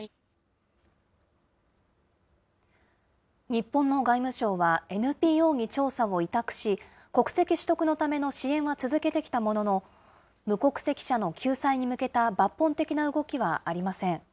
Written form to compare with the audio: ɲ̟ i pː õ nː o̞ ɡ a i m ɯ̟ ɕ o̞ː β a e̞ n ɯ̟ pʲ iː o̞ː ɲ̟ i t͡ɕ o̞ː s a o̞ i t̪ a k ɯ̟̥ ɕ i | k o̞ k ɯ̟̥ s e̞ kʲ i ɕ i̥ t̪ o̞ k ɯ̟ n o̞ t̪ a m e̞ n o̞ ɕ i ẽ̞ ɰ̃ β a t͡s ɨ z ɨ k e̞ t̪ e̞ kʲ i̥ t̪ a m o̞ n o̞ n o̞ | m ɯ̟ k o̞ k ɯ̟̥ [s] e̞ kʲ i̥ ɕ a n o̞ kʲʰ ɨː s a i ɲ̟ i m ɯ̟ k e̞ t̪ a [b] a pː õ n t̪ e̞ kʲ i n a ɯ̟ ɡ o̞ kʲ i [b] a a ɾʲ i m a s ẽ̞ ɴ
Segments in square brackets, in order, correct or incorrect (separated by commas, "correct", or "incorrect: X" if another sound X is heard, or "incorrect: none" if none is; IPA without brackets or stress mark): correct, correct, incorrect: β